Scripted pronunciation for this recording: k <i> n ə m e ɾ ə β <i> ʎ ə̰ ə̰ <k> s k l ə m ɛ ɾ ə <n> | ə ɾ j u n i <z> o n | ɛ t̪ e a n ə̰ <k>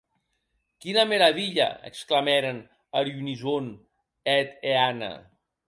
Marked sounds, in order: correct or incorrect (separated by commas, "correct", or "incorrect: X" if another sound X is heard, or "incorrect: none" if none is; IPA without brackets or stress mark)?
correct, correct, correct, correct, correct, incorrect: none